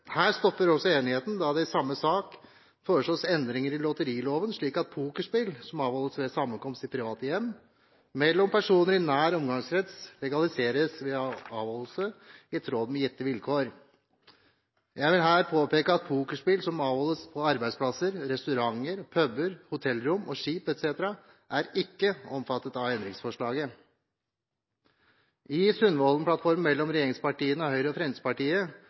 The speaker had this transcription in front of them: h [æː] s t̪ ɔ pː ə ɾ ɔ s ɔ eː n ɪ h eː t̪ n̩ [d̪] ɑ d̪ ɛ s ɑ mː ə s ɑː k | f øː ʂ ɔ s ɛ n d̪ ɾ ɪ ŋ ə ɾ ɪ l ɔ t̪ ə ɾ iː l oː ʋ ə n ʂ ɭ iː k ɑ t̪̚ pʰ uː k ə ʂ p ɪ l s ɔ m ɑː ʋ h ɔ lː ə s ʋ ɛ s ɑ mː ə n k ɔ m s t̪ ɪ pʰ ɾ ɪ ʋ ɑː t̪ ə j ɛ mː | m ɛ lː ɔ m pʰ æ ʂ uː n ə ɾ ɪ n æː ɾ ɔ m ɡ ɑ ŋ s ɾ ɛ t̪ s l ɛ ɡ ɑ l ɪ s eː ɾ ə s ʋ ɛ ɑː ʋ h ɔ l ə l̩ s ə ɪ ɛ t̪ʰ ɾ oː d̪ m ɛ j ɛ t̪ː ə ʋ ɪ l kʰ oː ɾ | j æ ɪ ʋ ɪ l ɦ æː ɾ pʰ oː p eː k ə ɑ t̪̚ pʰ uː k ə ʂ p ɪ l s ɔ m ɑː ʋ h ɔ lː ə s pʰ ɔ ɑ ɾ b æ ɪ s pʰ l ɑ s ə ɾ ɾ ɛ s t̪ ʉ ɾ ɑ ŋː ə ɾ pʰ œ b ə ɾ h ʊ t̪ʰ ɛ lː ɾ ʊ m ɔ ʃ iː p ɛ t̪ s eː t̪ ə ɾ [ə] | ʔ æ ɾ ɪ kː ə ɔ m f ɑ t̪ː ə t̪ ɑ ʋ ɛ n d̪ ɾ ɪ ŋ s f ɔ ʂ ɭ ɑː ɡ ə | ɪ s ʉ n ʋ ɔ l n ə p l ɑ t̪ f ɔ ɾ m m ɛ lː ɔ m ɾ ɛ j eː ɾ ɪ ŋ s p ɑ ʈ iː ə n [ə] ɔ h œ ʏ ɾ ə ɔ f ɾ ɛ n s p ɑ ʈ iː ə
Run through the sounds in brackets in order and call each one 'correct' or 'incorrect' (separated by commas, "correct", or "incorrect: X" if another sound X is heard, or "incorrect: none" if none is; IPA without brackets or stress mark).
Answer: correct, correct, incorrect: ɑ, correct